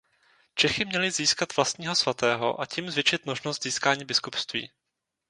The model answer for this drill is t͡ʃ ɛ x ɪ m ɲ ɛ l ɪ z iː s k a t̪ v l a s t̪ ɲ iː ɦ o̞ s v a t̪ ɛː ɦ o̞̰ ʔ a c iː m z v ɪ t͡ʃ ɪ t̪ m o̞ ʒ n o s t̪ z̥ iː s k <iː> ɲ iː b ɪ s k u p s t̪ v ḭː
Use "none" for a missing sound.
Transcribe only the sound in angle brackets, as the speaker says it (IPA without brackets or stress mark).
aː